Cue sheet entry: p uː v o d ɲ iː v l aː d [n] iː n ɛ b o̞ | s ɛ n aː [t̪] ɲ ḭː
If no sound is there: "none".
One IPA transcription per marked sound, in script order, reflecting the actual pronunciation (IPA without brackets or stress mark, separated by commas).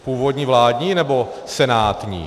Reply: ɲ, t̪